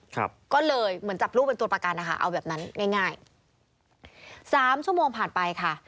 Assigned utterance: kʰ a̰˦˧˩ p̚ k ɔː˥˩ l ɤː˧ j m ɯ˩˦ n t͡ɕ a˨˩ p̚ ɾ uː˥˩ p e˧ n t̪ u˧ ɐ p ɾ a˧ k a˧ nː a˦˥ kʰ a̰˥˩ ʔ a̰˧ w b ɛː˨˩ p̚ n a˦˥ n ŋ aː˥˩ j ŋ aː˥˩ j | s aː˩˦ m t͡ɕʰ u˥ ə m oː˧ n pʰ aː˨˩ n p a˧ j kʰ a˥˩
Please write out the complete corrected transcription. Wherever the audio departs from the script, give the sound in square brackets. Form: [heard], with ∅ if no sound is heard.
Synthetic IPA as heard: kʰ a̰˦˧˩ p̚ k ɔː˥˩ l ɤː˧ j m ɯ˩˦ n t͡ɕ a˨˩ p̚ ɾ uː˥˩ p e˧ n t̪ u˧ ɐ p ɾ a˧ k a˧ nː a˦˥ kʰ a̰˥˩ ʔ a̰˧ w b ɛː˨˩ p̚ n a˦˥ n ŋ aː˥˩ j ŋ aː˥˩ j | s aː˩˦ m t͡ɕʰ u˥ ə m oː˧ [ŋ] pʰ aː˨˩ n p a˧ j kʰ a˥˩